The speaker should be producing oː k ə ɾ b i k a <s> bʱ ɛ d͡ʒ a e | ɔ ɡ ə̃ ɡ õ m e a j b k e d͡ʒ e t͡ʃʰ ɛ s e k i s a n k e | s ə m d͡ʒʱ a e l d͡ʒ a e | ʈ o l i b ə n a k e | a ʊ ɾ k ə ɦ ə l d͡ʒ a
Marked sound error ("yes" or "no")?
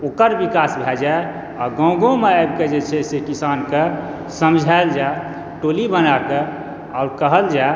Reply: no